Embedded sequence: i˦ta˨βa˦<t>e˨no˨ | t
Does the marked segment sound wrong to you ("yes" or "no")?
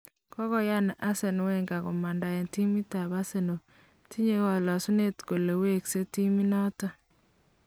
yes